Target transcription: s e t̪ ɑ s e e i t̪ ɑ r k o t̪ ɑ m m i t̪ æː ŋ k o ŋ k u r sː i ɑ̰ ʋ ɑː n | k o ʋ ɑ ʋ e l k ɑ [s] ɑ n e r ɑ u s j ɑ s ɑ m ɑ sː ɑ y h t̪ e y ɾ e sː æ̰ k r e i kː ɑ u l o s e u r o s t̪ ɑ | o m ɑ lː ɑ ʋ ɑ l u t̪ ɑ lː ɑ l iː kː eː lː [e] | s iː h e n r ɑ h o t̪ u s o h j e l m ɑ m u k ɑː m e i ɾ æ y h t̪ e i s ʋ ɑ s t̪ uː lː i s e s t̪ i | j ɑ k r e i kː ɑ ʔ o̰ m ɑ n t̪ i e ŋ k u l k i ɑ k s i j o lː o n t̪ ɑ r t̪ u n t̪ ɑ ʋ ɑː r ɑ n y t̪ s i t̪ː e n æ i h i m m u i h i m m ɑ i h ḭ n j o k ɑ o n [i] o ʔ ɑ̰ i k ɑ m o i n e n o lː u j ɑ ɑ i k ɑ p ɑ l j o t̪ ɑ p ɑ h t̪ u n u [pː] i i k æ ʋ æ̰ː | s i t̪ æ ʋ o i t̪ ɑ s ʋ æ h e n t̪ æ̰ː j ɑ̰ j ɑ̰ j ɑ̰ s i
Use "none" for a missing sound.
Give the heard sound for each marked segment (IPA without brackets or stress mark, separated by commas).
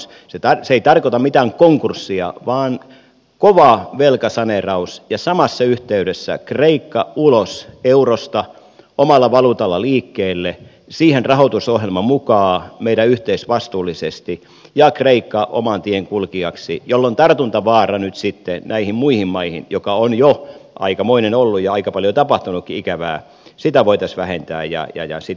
s, e, j, kː